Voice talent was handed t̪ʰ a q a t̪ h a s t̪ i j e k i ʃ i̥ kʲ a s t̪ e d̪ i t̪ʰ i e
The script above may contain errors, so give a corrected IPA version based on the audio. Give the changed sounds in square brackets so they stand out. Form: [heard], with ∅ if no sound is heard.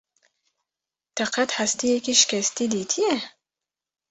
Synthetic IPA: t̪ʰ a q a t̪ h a s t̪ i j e k i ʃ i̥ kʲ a s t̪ [i] d̪ i t̪ʰ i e